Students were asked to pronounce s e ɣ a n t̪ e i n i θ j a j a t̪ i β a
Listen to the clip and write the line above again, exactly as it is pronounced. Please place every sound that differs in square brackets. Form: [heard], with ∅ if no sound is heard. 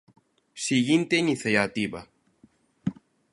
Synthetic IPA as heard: s [i] ɣ [i] n t̪ e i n i θ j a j a t̪ i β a

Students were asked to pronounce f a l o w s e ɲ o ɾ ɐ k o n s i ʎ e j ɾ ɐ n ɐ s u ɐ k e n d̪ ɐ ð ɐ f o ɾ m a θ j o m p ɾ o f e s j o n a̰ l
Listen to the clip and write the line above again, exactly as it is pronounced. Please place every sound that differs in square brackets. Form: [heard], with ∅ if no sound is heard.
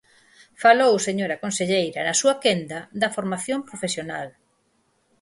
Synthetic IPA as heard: f a l o w s e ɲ o ɾ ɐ k o n s [e] ʎ e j ɾ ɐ n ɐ s u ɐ k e n d̪ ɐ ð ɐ f o ɾ m a θ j o m p ɾ o f e s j o n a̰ l

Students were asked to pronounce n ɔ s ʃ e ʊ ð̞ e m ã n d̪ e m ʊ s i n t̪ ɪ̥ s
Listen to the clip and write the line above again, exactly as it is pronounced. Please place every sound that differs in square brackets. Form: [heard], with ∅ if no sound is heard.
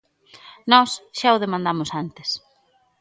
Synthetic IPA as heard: n ɔ s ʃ [a] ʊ ð̞ e m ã n d̪ [a] m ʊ s [a] n t̪ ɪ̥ s

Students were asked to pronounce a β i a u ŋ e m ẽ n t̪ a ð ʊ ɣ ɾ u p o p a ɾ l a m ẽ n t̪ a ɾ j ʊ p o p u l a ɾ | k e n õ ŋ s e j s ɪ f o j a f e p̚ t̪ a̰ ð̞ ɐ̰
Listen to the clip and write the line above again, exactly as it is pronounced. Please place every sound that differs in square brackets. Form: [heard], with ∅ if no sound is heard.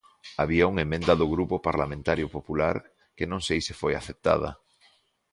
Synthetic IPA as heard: a β i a u ŋ e m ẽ n [d̪] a ð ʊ ɣ ɾ u p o p a ɾ l a m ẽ n t̪ a ɾ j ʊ p o p u l a ɾ | k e n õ ŋ s e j s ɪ f o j a [θ] e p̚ t̪ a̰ ð̞ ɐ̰

